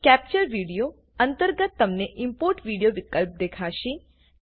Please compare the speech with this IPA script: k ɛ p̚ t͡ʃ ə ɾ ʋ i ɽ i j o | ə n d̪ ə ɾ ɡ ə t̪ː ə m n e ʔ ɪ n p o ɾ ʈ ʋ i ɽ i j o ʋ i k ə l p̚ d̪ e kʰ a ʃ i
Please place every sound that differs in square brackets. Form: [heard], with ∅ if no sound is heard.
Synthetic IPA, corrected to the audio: k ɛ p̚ t͡ʃ ə ɾ ʋ i ɽ i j o | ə n [t̪] ə ɾ ɡ ə t̪ː ə m n e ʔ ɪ [m] p o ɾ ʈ ʋ i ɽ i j o ʋ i k ə l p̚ d̪ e kʰ a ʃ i